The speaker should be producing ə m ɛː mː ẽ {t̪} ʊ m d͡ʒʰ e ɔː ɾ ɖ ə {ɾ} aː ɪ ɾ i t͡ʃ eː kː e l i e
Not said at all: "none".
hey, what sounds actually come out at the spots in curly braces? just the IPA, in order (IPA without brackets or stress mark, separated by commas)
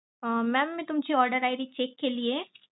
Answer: t̪, ɾ